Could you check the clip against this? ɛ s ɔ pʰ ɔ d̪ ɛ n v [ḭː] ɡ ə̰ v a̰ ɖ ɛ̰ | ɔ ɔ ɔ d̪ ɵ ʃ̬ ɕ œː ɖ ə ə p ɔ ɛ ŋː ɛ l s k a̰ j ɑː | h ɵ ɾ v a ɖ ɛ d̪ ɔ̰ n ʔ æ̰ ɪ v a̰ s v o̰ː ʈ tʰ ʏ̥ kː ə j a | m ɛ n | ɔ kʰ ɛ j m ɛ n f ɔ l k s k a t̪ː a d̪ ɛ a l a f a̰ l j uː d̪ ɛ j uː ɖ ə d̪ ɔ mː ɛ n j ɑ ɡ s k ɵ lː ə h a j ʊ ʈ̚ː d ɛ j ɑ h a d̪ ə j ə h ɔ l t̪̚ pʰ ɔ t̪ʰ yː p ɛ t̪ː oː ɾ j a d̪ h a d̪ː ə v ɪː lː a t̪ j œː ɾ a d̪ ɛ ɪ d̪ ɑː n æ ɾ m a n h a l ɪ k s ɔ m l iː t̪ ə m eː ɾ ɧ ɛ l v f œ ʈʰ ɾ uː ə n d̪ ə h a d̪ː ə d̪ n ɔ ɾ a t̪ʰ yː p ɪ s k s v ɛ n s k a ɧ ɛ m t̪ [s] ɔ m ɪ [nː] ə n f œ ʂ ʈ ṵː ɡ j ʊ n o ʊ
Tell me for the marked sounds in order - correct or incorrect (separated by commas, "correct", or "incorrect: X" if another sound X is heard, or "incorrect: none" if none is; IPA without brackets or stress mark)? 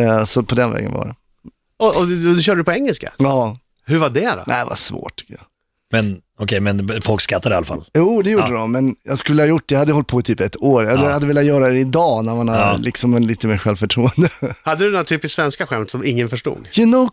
incorrect: ɛ̰ː, correct, incorrect: ŋː